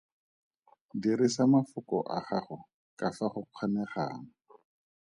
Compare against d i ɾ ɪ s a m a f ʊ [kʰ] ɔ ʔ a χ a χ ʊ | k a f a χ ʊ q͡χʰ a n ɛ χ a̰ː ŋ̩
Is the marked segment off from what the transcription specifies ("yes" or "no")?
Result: yes